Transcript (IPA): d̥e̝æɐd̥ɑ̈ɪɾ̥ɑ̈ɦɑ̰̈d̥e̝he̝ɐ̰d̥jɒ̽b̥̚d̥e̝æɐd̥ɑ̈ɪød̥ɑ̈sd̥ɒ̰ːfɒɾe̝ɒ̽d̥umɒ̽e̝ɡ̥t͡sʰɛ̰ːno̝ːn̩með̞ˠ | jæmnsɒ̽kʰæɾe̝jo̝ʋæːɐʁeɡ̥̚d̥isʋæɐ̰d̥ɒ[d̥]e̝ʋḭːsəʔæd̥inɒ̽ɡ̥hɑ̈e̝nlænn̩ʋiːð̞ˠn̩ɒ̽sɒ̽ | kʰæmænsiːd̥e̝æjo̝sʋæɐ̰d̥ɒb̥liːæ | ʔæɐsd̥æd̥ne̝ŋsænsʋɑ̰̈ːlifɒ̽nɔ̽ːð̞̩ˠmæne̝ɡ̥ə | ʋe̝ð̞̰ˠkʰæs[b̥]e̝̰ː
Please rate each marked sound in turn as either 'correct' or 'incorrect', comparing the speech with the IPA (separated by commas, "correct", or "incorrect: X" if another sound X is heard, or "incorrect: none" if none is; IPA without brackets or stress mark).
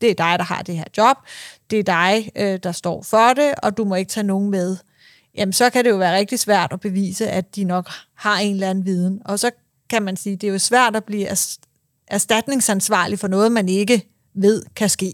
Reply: incorrect: b̥, incorrect: ɡ̥